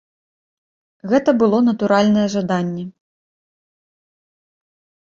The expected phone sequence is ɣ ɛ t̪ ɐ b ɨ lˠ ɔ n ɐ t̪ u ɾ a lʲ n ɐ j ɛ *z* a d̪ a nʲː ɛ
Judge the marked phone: incorrect: ʐ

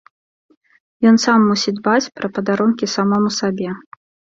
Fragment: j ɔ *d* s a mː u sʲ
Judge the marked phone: incorrect: n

